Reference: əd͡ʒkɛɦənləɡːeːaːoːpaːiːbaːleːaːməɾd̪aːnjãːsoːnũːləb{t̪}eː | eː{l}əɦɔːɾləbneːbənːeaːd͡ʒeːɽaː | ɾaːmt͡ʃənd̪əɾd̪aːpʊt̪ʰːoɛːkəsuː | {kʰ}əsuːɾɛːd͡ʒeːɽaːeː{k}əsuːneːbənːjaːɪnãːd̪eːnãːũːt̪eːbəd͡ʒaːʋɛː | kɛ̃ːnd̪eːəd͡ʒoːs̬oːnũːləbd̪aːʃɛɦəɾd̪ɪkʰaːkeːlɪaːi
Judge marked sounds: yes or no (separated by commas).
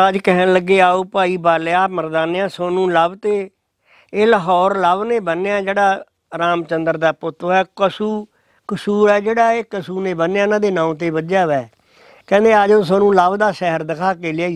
yes, yes, no, yes